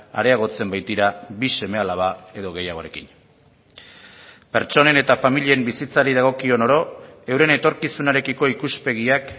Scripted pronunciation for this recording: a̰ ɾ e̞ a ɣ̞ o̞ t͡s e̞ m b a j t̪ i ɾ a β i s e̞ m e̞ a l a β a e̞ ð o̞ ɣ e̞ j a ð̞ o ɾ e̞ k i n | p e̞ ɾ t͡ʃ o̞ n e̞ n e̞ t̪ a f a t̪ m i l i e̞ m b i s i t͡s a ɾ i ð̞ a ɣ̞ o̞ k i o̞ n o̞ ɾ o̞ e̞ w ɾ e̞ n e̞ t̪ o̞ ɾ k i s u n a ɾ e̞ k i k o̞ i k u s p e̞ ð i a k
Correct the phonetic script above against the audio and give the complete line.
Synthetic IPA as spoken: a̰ ɾ e̞ a ɣ̞ o̞ t͡s e̞ m b a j t̪ i ɾ a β i s e̞ m e̞ a l a β a e̞ ð o̞ ɣ e̞ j a ɣ̞ o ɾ e̞ k i n | p e̞ ɾ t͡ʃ o̞ n e̞ n e̞ t̪ a f a m i l i e̞ m b i s i t͡s a ɾ i ð̞ a ɣ̞ o̞ k i o̞ n o̞ ɾ o̞ e̞ w ɾ e̞ n e̞ t̪ o̞ ɾ k i s u n a ɾ e̞ k i k o̞ i k u s p e̞ ɣ i a k